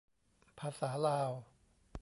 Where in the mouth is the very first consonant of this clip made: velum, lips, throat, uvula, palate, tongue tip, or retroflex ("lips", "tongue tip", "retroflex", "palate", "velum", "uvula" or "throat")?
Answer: lips